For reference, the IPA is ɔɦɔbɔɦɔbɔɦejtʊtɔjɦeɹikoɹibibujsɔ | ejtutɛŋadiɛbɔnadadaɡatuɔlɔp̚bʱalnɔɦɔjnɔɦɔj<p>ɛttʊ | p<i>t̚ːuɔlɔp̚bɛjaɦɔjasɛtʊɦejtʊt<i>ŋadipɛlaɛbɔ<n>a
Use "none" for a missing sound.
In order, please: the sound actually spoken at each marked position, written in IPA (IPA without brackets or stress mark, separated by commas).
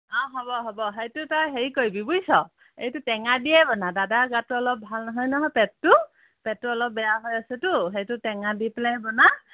p, ɛ, ɛ, n